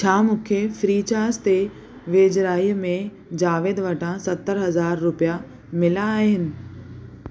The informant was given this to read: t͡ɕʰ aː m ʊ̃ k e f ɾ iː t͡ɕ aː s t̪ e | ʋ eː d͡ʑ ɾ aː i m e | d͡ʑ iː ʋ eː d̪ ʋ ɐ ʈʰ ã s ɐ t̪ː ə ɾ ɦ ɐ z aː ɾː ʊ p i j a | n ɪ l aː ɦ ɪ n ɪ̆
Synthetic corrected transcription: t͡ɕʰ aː m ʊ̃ kʰ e f ɾ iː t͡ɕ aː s t̪ e | ʋ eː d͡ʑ ɾ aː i m ẽ | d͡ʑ aː ʋ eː d̪ ʋ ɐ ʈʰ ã s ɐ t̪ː ə ɾ ɦ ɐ z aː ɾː ʊ p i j a | m ɪ l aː ɦ ɪ n ɪ̆